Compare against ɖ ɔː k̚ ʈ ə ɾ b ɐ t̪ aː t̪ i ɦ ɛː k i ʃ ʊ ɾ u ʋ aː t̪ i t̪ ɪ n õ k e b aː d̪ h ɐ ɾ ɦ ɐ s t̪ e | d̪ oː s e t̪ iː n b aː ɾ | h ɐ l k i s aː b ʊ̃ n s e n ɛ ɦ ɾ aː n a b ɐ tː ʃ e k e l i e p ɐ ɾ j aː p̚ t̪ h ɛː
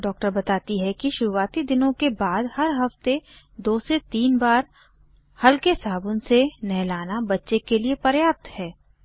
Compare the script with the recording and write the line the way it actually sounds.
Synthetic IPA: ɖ ɔː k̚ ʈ ə ɾ b ɐ t̪ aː t̪ i ɦ ɛ k i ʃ ʊ ɾ u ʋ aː t̪ i d̪ ɪ n õ k e b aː d̪ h ɐ ɾ ɦ ɐ f t̪ e | d̪ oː s e t̪ iː n b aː ɾ | h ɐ l k e s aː b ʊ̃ n s e n ɛ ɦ l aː n a b ɐ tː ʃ e k e l i e p ɐ ɾ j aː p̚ t̪ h ɛː